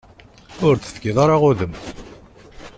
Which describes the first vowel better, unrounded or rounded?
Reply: rounded